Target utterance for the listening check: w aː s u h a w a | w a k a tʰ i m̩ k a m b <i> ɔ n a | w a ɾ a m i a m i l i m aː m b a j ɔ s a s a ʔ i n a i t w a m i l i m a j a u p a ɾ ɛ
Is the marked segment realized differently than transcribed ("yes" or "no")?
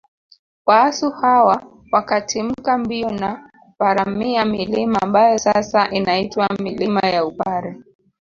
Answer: no